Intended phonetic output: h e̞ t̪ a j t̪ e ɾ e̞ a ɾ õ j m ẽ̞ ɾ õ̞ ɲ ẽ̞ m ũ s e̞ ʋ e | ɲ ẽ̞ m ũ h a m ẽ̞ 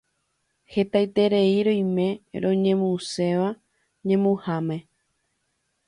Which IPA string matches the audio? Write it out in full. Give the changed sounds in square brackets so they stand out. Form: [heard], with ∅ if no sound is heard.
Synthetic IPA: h e̞ t̪ a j t̪ e ɾ e̞ [i] ɾ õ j m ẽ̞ ɾ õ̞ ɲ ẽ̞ m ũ s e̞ ʋ [a] | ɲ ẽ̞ m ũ h a m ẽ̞